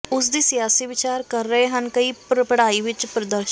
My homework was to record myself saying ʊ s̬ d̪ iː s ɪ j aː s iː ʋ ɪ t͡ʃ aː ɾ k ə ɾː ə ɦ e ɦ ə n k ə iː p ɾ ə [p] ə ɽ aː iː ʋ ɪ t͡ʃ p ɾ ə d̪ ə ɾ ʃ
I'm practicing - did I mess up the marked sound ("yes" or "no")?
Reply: no